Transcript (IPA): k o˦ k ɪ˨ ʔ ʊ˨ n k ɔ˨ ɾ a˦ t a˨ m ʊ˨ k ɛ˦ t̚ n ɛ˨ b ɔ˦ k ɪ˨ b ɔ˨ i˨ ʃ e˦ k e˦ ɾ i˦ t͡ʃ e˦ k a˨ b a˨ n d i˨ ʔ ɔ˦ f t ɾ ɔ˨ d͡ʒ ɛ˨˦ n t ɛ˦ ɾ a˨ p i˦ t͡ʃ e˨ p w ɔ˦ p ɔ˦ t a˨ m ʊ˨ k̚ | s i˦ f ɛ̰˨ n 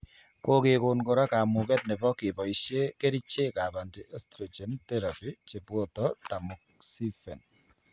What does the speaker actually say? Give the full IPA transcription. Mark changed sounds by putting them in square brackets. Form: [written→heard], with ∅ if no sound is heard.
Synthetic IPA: k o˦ k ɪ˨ [ʔ→k] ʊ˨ n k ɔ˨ ɾ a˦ [t→k] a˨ m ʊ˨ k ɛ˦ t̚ n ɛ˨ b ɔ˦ k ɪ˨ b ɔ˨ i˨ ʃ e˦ k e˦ ɾ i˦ t͡ʃ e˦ k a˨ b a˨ n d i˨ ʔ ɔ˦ [f→s] t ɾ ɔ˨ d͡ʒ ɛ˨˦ n t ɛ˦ ɾ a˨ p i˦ t͡ʃ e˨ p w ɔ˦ [p→t] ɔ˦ t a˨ m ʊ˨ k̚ | s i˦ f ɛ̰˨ n

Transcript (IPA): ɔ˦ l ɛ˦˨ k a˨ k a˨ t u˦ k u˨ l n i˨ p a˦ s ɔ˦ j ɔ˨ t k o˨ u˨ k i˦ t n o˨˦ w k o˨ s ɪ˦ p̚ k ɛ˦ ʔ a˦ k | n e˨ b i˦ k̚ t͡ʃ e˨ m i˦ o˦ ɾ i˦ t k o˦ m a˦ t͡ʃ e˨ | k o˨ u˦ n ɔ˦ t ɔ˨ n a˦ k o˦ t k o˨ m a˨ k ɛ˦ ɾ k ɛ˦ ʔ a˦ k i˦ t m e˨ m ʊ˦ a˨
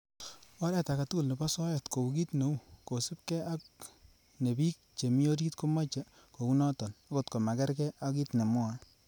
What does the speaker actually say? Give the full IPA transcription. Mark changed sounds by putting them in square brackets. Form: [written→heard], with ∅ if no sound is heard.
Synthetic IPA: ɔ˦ [l→ɾ] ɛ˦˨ [k→t] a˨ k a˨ t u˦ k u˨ l n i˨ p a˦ s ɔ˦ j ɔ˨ t k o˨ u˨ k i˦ t n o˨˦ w k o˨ s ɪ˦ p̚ k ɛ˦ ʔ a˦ k | n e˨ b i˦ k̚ t͡ʃ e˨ m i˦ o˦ ɾ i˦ t k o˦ m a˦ t͡ʃ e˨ | k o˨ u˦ n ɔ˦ t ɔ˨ n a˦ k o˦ t k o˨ m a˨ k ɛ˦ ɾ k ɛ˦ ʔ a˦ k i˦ t [m→n] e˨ m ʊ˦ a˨

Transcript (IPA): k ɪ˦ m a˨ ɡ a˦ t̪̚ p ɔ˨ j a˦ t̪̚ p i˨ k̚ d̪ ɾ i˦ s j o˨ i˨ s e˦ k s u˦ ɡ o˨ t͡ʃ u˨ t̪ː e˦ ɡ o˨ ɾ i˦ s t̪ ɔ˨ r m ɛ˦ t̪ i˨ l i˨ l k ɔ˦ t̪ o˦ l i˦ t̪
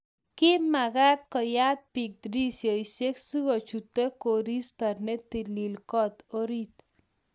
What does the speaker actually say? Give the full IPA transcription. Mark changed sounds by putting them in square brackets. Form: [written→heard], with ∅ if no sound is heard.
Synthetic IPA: k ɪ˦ m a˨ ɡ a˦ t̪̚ [p→k] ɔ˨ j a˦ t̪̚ p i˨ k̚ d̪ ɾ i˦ s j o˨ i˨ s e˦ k s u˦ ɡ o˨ t͡ʃ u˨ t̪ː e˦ [ɡ→k] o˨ ɾ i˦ s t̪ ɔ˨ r [m→n] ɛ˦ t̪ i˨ l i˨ l k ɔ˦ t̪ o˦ [l→ɾ] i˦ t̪

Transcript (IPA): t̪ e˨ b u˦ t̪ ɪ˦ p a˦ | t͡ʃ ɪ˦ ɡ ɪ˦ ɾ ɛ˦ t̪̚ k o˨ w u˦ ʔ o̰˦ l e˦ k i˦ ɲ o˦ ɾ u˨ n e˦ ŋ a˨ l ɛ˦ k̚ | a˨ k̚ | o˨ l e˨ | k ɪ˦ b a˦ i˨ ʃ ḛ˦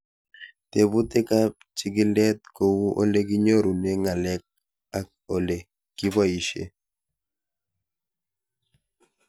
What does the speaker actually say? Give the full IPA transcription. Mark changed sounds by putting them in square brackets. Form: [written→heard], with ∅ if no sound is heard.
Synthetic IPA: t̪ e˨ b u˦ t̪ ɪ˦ [p→k] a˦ | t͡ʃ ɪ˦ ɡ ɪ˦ [ɾ→l] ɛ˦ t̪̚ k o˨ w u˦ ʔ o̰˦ l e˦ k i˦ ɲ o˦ ɾ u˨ n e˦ ŋ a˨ l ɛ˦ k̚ | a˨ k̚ | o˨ l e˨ | k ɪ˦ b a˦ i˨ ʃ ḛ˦

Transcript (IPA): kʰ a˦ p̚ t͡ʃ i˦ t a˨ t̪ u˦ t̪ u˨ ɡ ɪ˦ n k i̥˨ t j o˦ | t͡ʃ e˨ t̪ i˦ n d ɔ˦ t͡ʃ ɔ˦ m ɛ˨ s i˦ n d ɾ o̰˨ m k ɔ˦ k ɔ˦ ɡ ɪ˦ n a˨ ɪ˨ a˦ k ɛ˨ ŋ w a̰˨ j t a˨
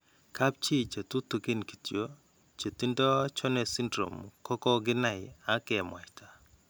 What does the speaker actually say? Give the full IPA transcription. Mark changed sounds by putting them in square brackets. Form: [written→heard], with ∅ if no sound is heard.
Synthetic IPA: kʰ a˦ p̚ t͡ʃ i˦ [t→t͡ʃ] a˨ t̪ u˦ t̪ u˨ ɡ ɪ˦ n k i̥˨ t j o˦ | t͡ʃ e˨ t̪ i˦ n d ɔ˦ t͡ʃ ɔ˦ [m→n] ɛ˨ s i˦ n d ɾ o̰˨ m k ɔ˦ k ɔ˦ ɡ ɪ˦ n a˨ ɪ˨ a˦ k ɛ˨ [ŋ→m] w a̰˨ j t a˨

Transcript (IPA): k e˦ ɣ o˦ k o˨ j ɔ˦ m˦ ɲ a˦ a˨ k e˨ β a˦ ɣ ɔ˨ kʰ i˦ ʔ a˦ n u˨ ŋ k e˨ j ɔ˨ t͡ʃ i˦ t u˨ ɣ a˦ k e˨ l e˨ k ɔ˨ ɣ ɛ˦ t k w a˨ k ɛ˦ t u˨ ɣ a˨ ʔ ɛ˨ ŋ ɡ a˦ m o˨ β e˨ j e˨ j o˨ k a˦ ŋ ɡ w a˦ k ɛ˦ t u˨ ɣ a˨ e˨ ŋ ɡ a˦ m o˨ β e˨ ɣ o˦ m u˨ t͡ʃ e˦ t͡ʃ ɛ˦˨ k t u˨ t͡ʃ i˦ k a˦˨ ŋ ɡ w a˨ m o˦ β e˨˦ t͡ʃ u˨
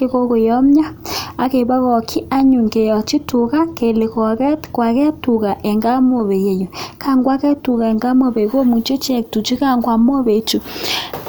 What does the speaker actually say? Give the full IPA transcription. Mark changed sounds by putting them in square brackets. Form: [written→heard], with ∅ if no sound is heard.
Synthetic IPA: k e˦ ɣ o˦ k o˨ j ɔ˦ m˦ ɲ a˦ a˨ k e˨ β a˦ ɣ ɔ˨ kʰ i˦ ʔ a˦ [n→ɲ] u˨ ŋ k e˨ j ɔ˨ t͡ʃ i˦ t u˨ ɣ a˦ k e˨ l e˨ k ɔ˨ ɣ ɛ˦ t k w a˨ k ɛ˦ t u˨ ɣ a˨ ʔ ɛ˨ ŋ ɡ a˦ m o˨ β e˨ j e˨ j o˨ k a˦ ŋ ɡ w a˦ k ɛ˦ t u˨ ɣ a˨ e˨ ŋ ɡ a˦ m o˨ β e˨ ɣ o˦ m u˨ t͡ʃ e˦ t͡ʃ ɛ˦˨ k t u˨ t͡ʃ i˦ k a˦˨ ŋ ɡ w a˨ m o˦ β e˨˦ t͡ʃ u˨

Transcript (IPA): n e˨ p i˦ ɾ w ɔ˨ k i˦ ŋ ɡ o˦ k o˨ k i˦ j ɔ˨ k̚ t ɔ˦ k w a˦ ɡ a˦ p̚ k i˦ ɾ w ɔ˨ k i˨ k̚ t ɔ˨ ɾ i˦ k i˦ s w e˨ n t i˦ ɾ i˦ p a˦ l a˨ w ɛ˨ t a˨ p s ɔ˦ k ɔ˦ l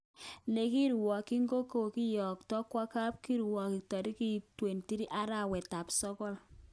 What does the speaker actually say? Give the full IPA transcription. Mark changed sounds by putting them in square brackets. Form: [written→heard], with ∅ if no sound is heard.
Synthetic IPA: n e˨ [p→k] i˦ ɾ w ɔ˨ k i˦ ŋ ɡ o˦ k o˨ k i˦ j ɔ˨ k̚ t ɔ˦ k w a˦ [ɡ→k] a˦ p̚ k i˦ ɾ w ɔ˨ k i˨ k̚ t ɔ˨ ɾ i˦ k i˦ [s→t] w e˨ n t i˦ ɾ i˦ [p→ʔ] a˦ [l→ɾ] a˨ w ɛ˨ t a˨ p s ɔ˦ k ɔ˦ l

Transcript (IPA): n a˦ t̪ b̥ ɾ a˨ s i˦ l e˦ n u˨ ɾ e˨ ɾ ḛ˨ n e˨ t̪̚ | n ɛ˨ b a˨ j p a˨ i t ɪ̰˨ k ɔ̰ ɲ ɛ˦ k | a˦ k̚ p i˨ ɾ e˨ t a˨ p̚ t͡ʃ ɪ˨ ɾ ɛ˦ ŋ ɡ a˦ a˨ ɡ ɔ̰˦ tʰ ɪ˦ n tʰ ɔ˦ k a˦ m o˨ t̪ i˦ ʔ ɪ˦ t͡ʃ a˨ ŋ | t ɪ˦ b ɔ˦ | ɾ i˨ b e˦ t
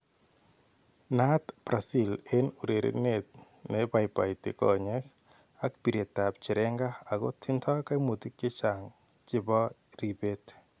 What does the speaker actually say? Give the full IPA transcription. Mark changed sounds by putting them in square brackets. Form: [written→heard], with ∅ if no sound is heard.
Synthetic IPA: n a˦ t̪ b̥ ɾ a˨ s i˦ l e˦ n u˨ ɾ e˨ ɾ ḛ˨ n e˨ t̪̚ | n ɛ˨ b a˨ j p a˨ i t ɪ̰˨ k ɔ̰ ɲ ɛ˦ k | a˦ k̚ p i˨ ɾ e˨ t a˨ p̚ t͡ʃ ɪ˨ ɾ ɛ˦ ŋ ɡ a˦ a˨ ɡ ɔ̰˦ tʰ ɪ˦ n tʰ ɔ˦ k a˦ m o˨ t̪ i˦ [ʔ→k] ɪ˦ t͡ʃ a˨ ŋ | [t→t͡ʃ] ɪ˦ b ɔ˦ | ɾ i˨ b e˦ t

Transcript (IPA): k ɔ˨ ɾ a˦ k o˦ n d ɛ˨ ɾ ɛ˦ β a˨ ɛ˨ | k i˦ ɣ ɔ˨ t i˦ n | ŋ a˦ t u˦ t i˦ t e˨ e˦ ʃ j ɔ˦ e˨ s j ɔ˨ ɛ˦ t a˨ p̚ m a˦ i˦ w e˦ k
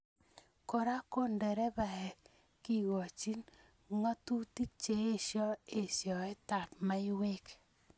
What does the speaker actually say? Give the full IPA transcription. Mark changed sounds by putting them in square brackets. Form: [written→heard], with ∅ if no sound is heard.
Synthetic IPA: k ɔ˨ ɾ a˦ k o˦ n d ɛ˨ ɾ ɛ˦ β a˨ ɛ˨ | k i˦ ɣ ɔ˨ [t→t͡ʃ] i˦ n | ŋ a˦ t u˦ t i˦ [t→t͡ʃ] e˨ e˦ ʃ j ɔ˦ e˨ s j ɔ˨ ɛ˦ t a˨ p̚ m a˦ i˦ w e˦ k

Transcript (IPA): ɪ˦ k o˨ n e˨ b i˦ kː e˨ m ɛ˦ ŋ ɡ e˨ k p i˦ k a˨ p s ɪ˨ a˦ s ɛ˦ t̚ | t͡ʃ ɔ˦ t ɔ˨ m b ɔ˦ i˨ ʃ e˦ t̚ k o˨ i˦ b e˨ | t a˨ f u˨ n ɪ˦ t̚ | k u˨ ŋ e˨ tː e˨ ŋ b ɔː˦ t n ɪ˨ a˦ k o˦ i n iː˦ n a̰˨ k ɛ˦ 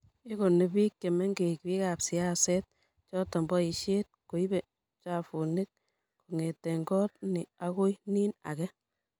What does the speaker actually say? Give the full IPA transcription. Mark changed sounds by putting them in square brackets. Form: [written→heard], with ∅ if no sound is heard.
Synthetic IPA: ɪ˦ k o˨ n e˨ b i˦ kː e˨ m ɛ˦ ŋ ɡ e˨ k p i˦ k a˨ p s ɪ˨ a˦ s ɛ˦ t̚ | t͡ʃ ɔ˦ t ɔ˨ m b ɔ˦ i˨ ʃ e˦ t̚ k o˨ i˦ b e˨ | [t→t͡ʃ] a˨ f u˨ n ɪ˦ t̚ | k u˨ ŋ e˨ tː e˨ ŋ [b→ɡ] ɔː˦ t n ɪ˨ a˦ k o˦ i n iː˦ n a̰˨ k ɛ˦

